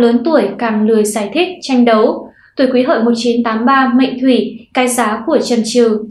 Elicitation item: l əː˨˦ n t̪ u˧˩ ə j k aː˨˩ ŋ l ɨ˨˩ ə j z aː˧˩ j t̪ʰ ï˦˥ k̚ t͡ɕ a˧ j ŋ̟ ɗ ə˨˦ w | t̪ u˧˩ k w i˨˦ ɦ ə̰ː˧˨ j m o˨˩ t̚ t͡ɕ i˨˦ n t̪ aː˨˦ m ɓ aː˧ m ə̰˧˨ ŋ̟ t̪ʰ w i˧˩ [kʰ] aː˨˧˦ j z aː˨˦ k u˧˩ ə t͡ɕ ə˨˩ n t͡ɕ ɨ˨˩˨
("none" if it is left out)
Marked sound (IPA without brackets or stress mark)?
k